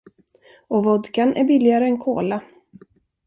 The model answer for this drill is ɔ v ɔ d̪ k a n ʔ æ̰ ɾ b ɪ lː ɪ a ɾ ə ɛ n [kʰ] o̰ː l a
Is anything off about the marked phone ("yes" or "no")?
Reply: no